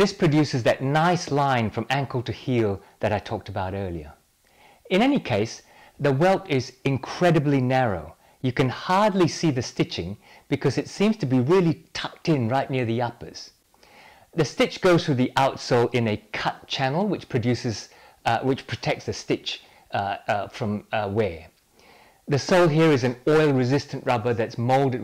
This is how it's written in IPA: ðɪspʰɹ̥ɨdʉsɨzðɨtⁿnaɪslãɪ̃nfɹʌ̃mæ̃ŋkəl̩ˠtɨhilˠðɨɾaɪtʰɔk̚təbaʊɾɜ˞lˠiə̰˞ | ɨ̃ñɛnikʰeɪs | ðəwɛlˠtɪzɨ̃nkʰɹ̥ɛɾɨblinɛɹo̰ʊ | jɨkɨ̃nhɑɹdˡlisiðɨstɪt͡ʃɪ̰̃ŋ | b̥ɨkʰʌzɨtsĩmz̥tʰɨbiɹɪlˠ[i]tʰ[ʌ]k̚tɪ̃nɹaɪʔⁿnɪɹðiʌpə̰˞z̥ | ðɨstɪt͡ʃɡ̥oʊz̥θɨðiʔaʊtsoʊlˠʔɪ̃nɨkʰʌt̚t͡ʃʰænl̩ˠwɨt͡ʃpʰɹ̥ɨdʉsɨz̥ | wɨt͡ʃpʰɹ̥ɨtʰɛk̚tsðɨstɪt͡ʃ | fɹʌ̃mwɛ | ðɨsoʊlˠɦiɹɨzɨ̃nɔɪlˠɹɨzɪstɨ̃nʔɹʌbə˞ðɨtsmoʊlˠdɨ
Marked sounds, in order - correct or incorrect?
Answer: correct, correct

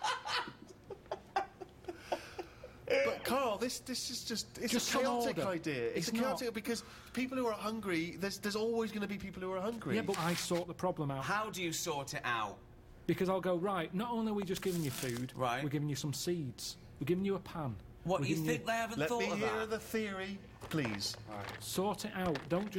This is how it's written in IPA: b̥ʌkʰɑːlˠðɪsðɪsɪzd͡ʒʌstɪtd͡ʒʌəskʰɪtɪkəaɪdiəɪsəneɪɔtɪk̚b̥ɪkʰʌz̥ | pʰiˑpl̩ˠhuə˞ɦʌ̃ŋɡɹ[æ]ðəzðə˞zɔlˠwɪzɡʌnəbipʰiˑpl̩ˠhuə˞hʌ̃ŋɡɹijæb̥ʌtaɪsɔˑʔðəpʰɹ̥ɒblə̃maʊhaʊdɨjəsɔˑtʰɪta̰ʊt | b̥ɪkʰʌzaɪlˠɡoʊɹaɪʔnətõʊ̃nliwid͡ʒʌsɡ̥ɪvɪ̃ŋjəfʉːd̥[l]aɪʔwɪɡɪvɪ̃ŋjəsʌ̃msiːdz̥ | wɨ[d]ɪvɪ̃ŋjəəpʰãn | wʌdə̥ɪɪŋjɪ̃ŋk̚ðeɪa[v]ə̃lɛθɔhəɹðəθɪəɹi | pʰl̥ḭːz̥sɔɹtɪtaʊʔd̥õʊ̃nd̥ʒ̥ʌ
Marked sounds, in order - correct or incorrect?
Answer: incorrect: i, incorrect: ɹ, incorrect: ɡ, correct

